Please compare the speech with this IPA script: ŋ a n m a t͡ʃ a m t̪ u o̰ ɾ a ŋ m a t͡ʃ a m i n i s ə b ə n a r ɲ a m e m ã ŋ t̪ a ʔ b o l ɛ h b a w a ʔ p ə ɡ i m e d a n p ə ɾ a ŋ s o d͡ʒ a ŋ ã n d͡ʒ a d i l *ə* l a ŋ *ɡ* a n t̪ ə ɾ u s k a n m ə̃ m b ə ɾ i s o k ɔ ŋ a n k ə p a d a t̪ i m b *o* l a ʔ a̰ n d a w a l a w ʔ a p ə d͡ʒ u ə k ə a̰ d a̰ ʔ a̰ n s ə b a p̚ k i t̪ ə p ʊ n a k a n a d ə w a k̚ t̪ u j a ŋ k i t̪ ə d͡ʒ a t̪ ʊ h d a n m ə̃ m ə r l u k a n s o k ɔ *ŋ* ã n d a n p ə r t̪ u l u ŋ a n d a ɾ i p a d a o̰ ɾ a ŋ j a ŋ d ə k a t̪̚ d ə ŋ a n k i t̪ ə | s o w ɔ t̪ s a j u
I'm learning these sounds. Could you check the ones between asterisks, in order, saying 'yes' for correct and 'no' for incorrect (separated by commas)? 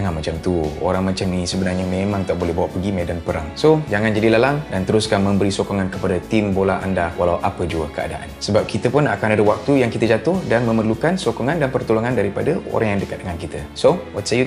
no, no, yes, yes